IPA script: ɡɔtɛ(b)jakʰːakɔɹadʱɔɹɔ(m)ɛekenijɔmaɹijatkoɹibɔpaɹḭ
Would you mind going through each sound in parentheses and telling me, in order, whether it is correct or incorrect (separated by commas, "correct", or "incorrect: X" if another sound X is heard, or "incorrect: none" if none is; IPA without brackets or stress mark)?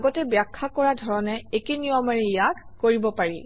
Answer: correct, incorrect: n